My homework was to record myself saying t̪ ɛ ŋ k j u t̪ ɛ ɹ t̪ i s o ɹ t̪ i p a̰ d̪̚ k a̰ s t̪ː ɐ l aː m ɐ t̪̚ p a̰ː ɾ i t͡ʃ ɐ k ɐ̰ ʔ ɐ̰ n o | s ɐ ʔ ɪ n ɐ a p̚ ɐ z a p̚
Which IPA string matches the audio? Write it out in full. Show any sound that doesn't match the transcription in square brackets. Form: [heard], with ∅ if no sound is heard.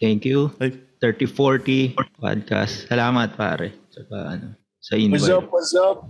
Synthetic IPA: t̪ ɛ ŋ k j u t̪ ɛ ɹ t̪ i [f] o ɹ t̪ i p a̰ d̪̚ k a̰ s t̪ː ɐ l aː m ɐ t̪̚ p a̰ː ɾ [ɛ] t͡ʃ ɐ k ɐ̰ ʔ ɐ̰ n o | s ɐ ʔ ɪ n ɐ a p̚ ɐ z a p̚